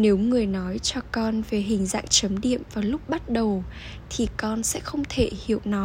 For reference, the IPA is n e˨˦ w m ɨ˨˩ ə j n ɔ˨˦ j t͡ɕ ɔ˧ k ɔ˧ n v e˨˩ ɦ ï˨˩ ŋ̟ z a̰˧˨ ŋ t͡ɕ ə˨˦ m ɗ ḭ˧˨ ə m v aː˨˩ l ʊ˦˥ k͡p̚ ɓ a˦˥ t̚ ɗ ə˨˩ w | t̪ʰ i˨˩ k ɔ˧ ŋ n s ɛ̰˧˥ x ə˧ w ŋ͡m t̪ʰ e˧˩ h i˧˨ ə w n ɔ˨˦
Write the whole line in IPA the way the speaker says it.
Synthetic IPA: n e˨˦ w ŋ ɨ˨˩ ə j n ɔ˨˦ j t͡ɕ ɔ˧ k ɔ˧ n v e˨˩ ɦ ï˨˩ ŋ̟ z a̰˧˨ ŋ t͡ɕ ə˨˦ m ɗ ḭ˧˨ ə m v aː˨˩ l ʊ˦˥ k͡p̚ ɓ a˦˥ t̚ ɗ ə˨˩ w | t̪ʰ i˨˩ k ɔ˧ n s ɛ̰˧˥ x ə˧ w ŋ͡m t̪ʰ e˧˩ h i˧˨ ə w n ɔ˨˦